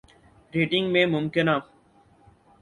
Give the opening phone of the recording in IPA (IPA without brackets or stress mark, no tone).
ɾ